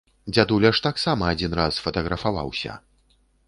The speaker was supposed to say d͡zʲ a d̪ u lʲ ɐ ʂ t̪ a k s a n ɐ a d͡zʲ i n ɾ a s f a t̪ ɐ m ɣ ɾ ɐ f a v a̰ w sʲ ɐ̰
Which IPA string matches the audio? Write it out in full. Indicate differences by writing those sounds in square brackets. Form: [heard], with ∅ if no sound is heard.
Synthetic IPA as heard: d͡zʲ a d̪ u lʲ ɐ ʂ t̪ a k s a [m] ɐ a d͡zʲ i n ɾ a s f [ɐ] t̪ ɐ [∅] ɣ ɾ ɐ f a v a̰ w sʲ ɐ̰

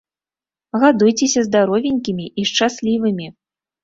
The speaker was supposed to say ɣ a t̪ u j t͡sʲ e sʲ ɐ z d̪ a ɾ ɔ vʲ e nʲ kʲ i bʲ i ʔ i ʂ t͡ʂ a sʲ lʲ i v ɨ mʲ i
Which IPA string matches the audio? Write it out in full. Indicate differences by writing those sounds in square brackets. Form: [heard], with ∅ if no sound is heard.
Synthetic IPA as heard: ɣ a [d̪] u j t͡sʲ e sʲ ɐ z d̪ a ɾ ɔ vʲ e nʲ kʲ i [mʲ] i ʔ i ʂ t͡ʂ a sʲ lʲ i v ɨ mʲ i

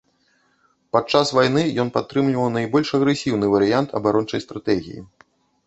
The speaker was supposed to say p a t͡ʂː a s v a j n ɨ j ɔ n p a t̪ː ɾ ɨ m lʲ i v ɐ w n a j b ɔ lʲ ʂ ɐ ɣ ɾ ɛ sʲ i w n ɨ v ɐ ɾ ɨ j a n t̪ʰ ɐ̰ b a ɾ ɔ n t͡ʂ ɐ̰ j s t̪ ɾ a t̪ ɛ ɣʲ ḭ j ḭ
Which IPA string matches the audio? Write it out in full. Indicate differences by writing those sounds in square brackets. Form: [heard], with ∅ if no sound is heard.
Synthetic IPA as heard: p a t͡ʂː a s v a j n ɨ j ɔ n p a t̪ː ɾ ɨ m lʲ i v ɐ w n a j b ɔ lʲ ʂ ɐ ɣ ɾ ɛ sʲ i w n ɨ v ɐ ɾ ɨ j a n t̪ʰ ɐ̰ b a ɾ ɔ n t͡ʂ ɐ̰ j s t̪ ɾ a t̪ ɛ ɣʲ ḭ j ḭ

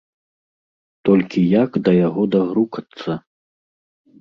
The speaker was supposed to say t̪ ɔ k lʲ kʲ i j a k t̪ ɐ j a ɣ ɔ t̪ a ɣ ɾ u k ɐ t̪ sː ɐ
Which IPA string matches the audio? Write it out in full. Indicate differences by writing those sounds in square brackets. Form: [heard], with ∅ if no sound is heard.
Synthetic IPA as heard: t̪ ɔ [∅] lʲ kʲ i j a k [d̪] ɐ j a ɣ ɔ [d̪] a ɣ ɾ u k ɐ t̪ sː ɐ

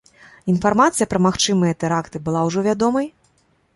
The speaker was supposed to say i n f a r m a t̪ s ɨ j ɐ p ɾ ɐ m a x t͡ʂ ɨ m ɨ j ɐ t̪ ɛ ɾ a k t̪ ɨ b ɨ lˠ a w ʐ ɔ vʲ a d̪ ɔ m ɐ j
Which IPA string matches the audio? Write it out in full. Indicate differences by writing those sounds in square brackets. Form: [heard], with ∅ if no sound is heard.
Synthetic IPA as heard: i n f a r m a t̪ s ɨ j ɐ p ɾ ɐ m a x t͡ʂ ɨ m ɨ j ɐ t̪ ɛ ɾ a k t̪ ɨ b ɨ lˠ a w ʐ ɔ vʲ a d̪ ɔ m ɐ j

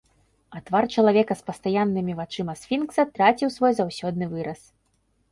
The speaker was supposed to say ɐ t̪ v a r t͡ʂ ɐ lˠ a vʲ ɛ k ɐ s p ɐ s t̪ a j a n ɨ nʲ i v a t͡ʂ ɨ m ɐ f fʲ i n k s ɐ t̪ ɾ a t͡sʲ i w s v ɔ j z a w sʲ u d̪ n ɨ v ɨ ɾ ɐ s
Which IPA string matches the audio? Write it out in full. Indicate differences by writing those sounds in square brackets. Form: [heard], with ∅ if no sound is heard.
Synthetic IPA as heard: ɐ t̪ v a r t͡ʂ ɐ lˠ a vʲ ɛ k ɐ s p ɐ s t̪ a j a [nː] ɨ [mʲ] i v a t͡ʂ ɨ m ɐ [s] fʲ i n k s ɐ t̪ ɾ a t͡sʲ i w s v ɔ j z a w sʲ [ɔ] d̪ n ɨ v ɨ ɾ ɐ s

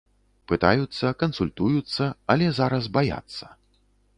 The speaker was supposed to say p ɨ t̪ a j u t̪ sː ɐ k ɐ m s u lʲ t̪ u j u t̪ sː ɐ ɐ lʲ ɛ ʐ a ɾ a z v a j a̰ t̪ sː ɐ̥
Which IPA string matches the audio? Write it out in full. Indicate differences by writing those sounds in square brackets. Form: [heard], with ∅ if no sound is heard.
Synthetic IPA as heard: p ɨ t̪ a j u t̪ sː ɐ k ɐ [n] s u lʲ t̪ u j u t̪ sː ɐ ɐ lʲ ɛ [z] a ɾ [ɐ] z [b] a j a̰ t̪ sː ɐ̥

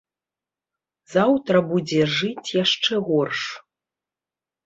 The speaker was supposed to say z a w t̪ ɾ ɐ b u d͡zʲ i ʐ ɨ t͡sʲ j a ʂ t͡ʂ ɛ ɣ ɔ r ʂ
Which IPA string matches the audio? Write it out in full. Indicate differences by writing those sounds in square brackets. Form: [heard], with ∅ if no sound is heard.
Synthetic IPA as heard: z a w t̪ ɾ ɐ b u d͡zʲ [ɛ] ʐ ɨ t͡sʲ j a ʂ t͡ʂ ɛ ɣ ɔ r ʂ

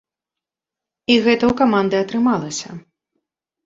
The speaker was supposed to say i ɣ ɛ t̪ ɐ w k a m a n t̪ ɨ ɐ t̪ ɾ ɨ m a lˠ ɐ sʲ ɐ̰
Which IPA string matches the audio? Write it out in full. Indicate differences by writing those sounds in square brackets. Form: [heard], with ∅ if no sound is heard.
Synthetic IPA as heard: i ɣ ɛ t̪ ɐ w k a m a n [d̪] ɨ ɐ t̪ ɾ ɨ m a lˠ ɐ sʲ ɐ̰

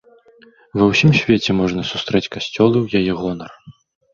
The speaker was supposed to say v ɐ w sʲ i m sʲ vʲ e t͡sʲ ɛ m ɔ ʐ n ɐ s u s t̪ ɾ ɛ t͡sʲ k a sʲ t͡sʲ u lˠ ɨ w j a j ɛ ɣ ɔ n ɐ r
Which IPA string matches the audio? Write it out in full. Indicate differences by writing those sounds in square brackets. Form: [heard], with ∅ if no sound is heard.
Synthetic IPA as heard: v ɐ w sʲ i m sʲ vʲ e t͡sʲ ɛ m ɔ ʐ n ɐ s u s t̪ ɾ ɛ t͡sʲ k a sʲ t͡sʲ [ɔ] lˠ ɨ w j a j ɛ ɣ ɔ n ɐ r

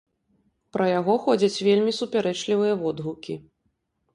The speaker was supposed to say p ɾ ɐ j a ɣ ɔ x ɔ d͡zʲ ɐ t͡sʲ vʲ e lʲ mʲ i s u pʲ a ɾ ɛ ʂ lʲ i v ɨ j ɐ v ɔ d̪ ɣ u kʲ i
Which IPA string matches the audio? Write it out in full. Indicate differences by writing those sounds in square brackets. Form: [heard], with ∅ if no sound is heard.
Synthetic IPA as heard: p ɾ ɐ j a ɣ ɔ x ɔ d͡zʲ ɐ t͡sʲ vʲ e lʲ mʲ i s u pʲ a ɾ ɛ [t͡ʂ] lʲ i v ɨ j ɐ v ɔ d̪ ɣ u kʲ i

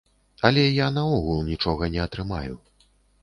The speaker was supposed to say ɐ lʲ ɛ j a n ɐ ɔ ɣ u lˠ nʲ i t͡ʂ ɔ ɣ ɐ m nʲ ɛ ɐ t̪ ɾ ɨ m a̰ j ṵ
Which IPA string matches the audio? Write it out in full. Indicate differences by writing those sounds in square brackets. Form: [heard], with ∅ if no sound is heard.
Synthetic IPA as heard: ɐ lʲ ɛ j a n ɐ ɔ ɣ u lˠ nʲ i t͡ʂ ɔ ɣ ɐ [∅] nʲ ɛ ɐ t̪ ɾ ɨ m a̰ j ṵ

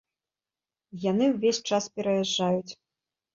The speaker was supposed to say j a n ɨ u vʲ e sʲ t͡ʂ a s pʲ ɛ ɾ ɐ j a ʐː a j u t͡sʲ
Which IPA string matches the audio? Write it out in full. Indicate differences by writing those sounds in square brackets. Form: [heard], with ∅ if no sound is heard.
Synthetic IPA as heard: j a n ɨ [w] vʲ e sʲ t͡ʂ a s pʲ ɛ ɾ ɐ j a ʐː a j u t͡sʲ

